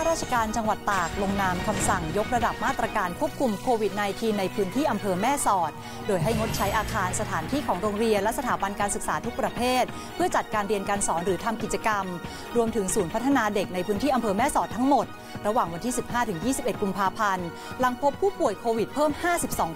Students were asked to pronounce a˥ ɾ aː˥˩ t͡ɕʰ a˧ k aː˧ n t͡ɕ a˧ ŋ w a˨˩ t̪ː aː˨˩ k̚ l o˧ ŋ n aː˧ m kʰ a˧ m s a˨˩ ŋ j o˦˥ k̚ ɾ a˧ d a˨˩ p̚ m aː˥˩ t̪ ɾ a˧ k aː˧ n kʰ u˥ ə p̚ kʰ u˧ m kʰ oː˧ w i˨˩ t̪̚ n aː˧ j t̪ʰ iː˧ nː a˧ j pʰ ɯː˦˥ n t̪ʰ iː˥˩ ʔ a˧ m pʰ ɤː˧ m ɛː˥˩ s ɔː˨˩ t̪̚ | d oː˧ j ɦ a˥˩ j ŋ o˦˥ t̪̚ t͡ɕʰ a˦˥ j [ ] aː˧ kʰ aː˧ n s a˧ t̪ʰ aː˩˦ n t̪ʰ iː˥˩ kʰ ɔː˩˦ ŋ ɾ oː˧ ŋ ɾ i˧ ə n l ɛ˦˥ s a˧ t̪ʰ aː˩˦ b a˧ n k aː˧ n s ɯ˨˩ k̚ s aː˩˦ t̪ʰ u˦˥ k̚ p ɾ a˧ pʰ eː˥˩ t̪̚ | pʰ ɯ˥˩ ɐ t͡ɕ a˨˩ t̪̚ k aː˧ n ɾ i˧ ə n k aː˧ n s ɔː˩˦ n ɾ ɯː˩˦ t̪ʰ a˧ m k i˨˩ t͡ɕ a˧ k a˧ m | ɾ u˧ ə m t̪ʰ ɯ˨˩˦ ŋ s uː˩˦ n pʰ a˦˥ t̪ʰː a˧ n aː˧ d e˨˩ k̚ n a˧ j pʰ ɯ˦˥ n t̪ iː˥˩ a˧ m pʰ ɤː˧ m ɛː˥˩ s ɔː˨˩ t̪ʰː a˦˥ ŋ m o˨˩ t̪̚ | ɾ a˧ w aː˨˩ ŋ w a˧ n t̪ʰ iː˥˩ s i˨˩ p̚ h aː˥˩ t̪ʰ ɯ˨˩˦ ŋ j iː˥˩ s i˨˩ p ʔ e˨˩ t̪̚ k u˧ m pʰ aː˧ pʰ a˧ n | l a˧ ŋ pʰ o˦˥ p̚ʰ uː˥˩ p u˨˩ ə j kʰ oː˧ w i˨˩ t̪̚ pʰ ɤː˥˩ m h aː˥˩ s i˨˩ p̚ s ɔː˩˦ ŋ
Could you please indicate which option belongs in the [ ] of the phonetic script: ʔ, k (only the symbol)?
ʔ